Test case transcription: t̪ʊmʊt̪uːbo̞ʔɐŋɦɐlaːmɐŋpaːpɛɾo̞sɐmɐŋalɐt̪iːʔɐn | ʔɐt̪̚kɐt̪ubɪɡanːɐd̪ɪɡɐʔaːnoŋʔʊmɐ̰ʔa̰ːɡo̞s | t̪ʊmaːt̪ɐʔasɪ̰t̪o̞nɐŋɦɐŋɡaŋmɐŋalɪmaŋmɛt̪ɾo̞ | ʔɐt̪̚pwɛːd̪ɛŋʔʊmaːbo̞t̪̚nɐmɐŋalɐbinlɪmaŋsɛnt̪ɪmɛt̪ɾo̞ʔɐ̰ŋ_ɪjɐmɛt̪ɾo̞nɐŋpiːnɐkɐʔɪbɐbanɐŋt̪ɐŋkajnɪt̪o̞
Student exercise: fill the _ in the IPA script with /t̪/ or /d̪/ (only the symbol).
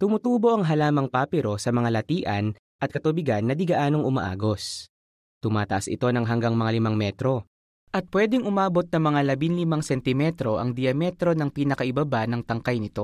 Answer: d̪